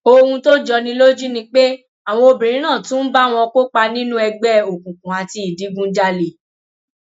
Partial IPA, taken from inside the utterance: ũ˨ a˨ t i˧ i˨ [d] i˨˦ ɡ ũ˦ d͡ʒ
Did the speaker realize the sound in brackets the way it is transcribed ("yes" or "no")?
yes